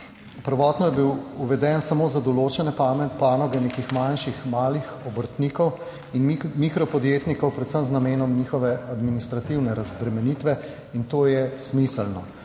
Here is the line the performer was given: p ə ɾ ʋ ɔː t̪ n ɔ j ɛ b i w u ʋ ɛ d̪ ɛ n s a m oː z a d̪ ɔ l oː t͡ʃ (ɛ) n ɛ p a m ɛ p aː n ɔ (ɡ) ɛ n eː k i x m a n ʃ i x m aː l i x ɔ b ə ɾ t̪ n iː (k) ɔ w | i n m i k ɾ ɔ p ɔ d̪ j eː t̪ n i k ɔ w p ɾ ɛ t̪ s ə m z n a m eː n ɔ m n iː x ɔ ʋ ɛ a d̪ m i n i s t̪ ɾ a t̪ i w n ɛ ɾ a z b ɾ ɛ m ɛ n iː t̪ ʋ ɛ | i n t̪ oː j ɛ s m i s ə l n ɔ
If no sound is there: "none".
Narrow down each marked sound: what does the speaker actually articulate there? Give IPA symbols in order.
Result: ɛ, ɡ, k

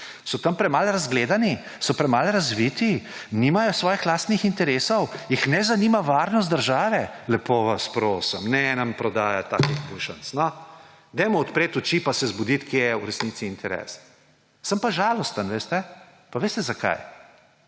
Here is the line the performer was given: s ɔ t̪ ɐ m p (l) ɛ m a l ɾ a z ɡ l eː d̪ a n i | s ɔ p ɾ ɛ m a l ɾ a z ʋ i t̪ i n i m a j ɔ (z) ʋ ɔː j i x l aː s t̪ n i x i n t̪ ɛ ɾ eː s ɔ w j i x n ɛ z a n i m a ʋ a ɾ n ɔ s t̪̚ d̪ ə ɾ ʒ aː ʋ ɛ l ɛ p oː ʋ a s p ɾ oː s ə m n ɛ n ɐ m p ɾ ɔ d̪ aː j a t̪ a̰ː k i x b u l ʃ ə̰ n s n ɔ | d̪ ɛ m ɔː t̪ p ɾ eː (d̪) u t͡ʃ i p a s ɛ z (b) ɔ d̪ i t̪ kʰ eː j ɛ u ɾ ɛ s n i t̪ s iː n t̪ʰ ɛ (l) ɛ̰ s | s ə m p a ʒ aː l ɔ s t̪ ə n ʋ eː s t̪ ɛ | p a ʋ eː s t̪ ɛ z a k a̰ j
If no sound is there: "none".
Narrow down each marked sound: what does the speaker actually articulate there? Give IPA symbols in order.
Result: ɾ, s, t̪, b, ɾ

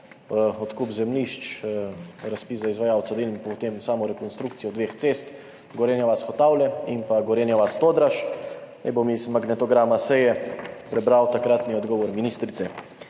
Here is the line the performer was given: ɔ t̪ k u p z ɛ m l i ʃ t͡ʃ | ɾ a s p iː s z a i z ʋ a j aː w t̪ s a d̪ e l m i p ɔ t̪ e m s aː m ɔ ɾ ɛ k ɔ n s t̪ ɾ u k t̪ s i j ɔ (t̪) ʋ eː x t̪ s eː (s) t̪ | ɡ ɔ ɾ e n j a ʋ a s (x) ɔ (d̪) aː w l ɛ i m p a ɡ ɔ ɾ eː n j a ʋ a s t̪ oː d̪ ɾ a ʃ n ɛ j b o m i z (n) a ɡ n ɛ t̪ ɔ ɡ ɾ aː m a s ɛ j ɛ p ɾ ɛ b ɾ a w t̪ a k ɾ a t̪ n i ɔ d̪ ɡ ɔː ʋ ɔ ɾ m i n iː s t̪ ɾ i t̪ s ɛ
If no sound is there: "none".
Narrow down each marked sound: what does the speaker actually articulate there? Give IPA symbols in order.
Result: d̪, s, x, t̪, m

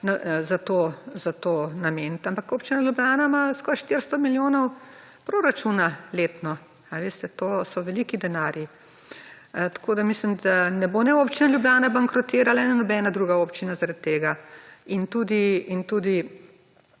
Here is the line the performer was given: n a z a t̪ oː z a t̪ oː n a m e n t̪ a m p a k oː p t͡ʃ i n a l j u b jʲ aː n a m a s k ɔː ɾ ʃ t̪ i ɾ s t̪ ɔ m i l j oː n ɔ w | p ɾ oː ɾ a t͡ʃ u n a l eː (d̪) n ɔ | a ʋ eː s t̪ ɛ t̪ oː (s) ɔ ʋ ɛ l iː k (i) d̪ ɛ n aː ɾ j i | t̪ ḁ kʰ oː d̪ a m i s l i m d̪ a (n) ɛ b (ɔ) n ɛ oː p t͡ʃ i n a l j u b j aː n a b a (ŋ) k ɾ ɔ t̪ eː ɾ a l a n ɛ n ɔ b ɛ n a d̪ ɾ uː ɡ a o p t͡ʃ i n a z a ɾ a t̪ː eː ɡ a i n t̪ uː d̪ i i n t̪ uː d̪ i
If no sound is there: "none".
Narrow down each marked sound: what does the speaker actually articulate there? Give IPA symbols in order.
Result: t̪, s, i, n, o, ŋ

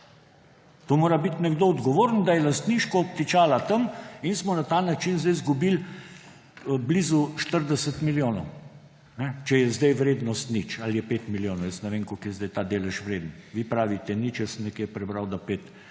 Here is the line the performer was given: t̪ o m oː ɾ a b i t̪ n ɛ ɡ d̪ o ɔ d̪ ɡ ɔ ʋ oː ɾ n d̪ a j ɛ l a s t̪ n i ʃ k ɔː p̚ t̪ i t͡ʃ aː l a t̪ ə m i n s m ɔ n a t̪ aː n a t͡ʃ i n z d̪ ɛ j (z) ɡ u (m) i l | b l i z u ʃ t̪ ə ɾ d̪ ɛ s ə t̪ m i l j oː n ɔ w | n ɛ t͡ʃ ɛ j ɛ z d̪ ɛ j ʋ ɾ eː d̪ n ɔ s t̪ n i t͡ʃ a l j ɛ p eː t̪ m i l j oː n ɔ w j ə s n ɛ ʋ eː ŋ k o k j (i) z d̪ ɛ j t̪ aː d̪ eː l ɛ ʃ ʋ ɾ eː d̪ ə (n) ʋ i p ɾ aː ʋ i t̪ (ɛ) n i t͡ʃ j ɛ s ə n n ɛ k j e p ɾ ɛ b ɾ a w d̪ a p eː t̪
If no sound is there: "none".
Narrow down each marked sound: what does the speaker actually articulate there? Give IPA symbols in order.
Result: z, b, ɛ, n, ɛ

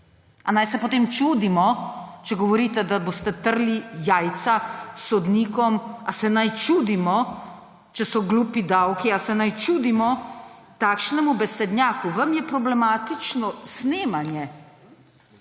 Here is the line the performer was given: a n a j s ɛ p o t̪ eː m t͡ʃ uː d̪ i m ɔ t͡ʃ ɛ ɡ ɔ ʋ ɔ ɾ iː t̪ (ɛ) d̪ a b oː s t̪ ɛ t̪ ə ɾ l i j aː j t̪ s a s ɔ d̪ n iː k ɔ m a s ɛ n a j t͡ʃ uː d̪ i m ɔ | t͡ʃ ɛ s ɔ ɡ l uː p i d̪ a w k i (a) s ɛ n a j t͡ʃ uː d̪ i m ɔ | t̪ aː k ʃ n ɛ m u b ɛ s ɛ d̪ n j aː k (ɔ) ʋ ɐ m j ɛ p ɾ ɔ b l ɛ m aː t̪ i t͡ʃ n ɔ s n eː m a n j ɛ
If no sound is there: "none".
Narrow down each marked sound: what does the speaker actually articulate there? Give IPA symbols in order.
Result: ɛ, a, u

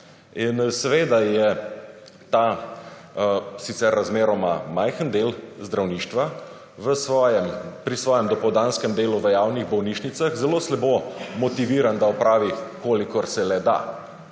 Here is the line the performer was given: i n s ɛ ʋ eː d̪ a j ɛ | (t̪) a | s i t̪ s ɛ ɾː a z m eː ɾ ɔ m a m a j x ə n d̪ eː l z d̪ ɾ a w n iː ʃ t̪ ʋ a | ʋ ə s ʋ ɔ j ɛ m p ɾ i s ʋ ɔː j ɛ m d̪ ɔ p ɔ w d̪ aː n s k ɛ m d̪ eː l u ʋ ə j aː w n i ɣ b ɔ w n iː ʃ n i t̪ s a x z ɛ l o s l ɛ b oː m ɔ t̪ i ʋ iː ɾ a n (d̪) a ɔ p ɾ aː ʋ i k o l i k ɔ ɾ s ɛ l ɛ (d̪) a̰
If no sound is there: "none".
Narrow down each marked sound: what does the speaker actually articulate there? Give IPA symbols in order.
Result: t̪, d̪, d̪

